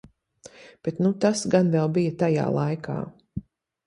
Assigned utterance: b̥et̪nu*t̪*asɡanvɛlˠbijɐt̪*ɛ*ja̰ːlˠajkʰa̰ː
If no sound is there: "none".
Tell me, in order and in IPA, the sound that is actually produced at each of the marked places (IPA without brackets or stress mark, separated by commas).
t̪, a